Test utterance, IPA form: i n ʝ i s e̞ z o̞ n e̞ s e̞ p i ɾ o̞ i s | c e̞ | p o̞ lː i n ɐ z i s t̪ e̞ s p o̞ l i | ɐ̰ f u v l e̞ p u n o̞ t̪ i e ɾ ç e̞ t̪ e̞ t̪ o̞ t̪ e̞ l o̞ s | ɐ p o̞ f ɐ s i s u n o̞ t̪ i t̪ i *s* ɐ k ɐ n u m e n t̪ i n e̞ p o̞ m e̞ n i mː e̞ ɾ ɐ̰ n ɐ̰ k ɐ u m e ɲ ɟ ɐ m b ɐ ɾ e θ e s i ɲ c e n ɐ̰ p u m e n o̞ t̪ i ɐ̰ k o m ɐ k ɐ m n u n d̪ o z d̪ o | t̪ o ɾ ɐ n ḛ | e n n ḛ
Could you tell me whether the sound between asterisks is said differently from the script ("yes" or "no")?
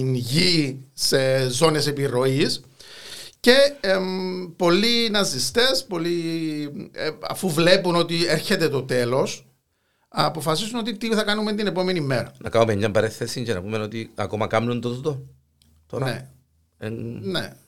yes